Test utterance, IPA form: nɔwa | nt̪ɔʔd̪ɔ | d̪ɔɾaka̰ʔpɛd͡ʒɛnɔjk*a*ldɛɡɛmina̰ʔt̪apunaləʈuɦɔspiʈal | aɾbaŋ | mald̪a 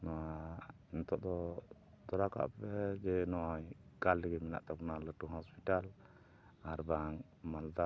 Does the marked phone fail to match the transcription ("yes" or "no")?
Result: no